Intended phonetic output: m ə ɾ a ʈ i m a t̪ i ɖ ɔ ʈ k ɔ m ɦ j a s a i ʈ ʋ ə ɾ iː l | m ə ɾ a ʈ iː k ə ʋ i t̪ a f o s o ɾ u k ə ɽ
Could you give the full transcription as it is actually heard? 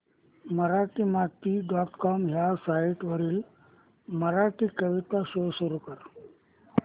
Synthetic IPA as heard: m ə ɾ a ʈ i m a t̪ i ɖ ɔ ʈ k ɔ m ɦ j a s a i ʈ ʋ ə ɾ iː l | m ə ɾ a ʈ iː k ə ʋ i t̪ a s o s u ɾ u k ə ɾ